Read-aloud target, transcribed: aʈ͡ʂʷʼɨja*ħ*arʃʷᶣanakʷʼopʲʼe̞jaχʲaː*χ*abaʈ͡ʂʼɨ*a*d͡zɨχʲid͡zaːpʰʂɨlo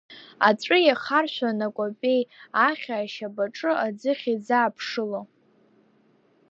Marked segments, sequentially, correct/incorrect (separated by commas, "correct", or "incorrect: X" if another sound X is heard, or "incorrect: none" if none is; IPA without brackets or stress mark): incorrect: χ, incorrect: ʃ, correct